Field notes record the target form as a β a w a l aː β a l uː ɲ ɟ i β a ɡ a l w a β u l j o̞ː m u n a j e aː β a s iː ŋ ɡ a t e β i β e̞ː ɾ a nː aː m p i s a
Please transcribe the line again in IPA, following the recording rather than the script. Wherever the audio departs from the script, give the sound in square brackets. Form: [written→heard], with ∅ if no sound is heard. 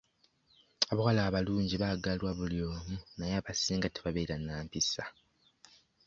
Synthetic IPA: a β a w a l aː β a l uː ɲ ɟ i β a ɡ a l w a β u l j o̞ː m u n a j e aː β a s iː ŋ ɡ a t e β [i→a] β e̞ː ɾ a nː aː m p i s a